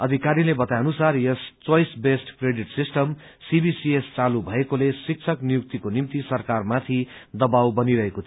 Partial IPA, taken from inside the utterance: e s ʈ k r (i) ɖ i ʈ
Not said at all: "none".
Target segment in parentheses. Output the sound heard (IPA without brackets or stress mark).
e